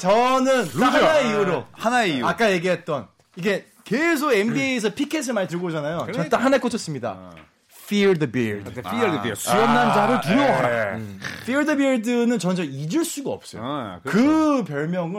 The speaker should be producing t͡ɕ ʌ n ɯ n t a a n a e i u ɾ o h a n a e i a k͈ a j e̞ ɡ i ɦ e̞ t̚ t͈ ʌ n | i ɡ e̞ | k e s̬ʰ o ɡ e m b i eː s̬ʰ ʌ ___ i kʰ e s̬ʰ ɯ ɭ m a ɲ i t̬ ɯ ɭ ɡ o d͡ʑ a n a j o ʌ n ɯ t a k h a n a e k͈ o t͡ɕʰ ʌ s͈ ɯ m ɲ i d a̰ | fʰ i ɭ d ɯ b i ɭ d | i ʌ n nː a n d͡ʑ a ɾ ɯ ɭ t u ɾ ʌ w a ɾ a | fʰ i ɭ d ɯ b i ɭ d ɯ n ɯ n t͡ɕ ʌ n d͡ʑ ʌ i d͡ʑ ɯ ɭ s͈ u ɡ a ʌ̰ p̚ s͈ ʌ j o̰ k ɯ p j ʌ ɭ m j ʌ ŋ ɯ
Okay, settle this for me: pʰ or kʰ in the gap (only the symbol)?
pʰ